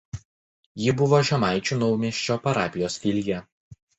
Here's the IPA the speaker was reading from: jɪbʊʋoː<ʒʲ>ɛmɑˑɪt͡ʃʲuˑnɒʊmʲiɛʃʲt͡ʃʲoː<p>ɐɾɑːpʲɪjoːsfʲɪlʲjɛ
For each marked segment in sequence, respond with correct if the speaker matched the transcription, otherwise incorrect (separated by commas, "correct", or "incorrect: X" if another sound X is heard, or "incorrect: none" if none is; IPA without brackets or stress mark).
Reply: correct, correct